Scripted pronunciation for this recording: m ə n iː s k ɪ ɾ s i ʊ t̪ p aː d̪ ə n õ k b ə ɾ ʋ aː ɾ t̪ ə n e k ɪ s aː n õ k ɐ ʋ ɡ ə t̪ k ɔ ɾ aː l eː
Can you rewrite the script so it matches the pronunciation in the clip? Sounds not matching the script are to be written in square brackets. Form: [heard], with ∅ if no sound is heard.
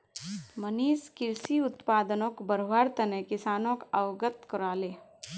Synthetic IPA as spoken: m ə n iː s k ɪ ɾ s i ʊ t̪ p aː d̪ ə n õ k b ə ɾ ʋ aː ɾ t̪ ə n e k ɪ s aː n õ k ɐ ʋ ɡ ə t̪ k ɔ ɾ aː l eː